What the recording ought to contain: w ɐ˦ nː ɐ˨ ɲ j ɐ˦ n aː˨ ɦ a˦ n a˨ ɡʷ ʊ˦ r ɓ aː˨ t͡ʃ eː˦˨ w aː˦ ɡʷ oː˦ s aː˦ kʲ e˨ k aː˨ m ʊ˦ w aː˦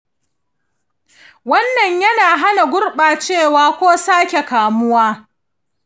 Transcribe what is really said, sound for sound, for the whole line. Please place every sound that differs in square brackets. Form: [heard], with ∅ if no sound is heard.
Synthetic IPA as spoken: w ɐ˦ nː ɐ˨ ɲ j ɐ˦ n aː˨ ɦ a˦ n a˨ ɡʷ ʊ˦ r ɓ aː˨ t͡ʃ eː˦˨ w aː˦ [kʷ] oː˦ s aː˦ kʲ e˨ k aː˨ m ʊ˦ w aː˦